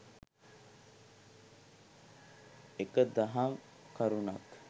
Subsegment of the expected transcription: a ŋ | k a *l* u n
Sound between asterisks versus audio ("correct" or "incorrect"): incorrect